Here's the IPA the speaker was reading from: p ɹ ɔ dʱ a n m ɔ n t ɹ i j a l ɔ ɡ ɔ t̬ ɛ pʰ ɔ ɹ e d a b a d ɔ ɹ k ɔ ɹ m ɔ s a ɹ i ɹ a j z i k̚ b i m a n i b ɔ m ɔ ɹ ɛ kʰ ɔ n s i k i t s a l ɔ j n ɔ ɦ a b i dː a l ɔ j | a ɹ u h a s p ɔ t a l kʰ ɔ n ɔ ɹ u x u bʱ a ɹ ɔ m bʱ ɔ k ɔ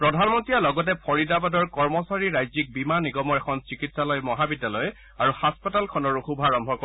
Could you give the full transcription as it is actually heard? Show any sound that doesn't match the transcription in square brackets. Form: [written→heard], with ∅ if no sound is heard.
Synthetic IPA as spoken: p ɹ ɔ dʱ a n m ɔ n t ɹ i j a l ɔ ɡ ɔ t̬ ɛ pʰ ɔ ɹ [e→i] d a b a d ɔ ɹ k ɔ ɹ m ɔ s a ɹ i ɹ a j z i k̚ b i m a n i [b→ɡ] ɔ m ɔ ɹ ɛ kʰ ɔ n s i k i t s a l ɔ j [n→m] ɔ ɦ a b i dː a l ɔ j | a ɹ u h a s p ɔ t a l kʰ ɔ n ɔ ɹ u x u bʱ a ɹ ɔ m bʱ ɔ k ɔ